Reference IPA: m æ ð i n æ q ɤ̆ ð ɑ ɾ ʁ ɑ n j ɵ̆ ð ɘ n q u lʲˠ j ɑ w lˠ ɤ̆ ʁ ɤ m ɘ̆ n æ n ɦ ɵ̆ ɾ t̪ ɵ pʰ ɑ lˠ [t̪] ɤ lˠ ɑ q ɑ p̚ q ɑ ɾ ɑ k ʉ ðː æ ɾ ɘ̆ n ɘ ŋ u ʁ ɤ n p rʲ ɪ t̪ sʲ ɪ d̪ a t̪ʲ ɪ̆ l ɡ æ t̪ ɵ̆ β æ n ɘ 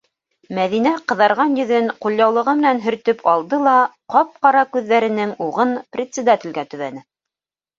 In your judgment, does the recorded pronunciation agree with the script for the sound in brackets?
no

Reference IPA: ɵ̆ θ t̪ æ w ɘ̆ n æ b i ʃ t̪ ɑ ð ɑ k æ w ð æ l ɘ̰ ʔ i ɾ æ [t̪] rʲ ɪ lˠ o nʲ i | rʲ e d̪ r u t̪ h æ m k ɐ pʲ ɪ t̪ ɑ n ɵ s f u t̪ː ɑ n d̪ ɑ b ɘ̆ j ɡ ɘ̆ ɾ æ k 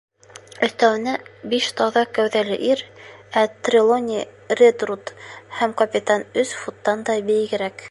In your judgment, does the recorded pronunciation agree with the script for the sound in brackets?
yes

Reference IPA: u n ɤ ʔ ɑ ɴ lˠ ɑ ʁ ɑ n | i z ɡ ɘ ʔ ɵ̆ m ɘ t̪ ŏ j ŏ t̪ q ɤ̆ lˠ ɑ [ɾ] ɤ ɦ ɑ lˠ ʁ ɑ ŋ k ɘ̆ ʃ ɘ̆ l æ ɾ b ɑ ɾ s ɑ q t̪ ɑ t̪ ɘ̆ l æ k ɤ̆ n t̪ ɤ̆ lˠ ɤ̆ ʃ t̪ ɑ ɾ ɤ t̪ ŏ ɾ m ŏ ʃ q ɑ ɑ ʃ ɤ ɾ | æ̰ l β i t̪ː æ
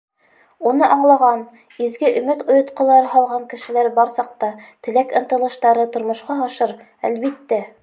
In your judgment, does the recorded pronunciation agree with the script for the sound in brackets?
yes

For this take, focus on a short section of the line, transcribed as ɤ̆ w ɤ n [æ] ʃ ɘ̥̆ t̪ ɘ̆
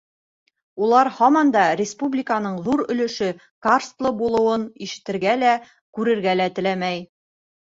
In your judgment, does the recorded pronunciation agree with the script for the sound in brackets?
no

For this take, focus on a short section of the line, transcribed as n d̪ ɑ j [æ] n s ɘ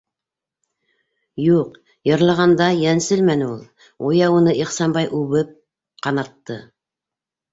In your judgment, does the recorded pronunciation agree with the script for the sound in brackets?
yes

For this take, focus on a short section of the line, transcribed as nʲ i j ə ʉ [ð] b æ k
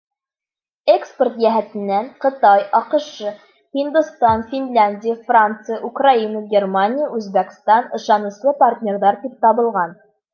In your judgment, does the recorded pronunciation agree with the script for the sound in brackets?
no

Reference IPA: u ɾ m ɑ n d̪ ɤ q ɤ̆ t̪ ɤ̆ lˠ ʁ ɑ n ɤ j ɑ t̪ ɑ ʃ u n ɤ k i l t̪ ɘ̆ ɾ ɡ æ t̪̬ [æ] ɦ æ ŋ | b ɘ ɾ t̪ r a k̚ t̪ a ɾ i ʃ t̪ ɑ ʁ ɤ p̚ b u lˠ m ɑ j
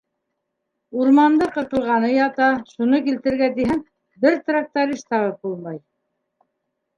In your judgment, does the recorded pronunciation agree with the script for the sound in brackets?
no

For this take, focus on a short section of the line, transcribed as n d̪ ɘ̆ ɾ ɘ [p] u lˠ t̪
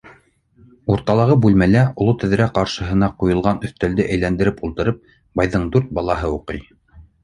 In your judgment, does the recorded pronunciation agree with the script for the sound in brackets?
yes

